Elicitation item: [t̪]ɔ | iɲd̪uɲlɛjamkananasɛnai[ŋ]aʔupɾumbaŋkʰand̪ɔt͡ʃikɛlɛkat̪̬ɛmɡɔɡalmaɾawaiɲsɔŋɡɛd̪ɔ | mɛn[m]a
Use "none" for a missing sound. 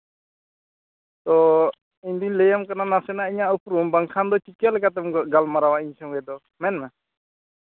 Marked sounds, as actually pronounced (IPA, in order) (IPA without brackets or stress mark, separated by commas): t̪, ɲ, m